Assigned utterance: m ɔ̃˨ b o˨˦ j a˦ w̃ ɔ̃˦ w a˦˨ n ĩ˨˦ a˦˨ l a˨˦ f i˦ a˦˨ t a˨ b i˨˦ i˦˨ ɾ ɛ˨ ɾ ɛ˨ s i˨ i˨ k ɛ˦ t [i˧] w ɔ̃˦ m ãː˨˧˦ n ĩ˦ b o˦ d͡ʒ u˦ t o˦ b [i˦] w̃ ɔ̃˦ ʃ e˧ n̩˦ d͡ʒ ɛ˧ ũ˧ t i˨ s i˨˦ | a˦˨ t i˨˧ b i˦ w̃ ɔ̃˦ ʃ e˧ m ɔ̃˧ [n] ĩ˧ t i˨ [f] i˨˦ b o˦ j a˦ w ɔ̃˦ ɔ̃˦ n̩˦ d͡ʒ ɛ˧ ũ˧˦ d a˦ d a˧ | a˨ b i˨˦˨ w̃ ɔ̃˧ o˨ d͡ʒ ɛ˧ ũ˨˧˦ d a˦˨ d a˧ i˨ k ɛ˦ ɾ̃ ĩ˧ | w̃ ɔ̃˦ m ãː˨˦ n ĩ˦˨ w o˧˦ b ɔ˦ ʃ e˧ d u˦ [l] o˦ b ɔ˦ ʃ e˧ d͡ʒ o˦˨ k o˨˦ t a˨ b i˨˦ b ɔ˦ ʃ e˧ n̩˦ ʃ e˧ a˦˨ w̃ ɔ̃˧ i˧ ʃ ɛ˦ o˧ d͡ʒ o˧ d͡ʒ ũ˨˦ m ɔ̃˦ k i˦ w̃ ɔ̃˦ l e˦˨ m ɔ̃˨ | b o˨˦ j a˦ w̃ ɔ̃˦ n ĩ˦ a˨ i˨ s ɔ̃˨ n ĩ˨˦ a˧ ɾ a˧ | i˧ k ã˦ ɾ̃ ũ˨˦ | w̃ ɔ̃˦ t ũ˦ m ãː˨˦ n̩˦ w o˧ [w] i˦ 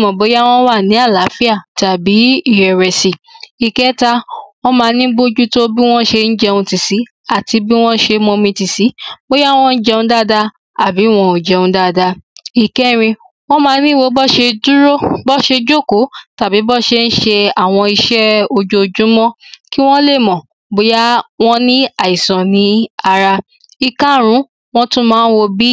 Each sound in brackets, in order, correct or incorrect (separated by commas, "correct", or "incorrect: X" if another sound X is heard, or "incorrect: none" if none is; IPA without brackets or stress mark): incorrect: a˧, correct, incorrect: m, incorrect: s, incorrect: ɾ, incorrect: b